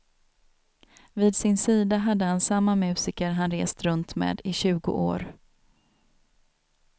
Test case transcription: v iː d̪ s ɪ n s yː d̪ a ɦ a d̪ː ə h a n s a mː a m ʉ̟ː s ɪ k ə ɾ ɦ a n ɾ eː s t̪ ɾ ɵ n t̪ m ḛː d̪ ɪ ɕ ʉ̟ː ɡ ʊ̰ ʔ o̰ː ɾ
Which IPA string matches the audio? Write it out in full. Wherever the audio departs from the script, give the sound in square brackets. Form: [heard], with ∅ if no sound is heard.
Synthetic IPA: v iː d̪ s ɪ n s [iː] d̪ a ɦ a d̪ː ə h a n s a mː a m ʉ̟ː s ɪ k ə ɾ ɦ a n ɾ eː s t̪ ɾ ɵ n t̪ m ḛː d̪ ɪ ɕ ʉ̟ː ɡ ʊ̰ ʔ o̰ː ɾ